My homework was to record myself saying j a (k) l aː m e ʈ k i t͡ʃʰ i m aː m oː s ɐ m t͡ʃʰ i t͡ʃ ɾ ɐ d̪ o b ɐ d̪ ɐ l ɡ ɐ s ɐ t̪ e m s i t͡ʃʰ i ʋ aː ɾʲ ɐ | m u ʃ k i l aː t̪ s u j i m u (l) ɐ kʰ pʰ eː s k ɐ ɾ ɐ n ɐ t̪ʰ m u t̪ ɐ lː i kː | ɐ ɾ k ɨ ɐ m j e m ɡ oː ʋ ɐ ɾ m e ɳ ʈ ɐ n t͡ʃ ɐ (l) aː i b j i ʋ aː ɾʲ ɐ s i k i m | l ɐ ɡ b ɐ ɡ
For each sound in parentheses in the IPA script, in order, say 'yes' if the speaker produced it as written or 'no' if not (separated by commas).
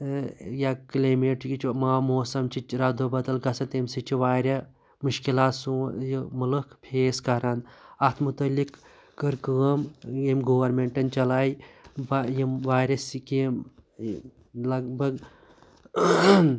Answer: yes, yes, yes